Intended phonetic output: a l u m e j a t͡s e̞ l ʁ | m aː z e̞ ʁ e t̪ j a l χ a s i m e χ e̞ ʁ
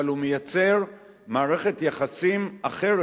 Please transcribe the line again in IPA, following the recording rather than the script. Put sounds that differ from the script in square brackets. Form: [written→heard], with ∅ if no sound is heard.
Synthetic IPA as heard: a l u m e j a t͡s e̞ [l→∅] ʁ | m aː [z→ʁ] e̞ [ʁ→χ] e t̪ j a [l→∅] χ a s i m [e→a] χ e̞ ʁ